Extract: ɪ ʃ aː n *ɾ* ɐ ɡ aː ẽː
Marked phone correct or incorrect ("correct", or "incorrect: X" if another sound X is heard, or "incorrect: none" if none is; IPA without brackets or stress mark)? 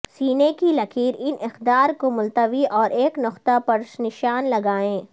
incorrect: l